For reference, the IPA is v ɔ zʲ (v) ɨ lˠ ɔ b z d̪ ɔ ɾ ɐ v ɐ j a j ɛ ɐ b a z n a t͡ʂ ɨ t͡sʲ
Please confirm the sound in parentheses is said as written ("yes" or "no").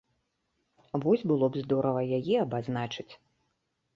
no